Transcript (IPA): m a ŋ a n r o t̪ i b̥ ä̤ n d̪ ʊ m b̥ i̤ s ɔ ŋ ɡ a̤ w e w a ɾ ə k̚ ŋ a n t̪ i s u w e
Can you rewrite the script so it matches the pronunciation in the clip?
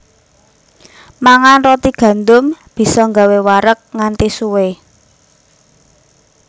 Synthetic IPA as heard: m a ŋ a n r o t̪ i ɡ̥ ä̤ n d̪ ʊ m b̥ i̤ s ɔ ŋ ɡ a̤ w e w a ɾ ə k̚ ŋ a n t̪ i s u w e